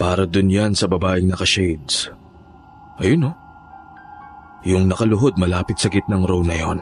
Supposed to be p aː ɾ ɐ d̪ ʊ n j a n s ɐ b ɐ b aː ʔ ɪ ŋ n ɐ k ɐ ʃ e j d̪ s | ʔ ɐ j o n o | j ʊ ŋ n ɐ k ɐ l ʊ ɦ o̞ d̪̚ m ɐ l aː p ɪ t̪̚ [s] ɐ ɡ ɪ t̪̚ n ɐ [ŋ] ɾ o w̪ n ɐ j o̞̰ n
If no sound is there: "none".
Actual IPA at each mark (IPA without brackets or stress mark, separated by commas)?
s, ŋ